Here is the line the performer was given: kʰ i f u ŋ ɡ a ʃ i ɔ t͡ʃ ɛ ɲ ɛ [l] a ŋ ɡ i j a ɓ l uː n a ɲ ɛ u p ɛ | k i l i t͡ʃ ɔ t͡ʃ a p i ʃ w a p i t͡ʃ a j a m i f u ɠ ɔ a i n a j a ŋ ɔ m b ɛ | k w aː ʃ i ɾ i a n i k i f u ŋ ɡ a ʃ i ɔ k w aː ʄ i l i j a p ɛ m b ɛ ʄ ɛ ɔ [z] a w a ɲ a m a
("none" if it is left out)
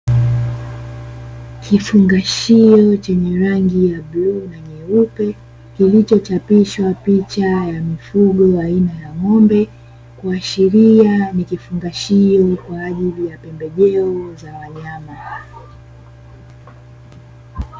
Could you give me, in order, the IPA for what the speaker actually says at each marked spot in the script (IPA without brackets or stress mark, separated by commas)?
ɾ, z